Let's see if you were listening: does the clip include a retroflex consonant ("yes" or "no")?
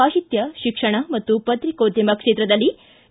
yes